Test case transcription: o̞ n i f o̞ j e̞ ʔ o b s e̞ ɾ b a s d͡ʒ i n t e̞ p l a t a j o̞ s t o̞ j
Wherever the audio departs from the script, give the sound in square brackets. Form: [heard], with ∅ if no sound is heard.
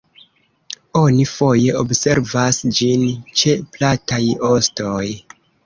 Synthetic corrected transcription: o̞ n i f o̞ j e̞ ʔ o b s e̞ ɾ [v] a s d͡ʒ i n [t͡ʃ] e̞ p l a t a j o̞ s t o̞ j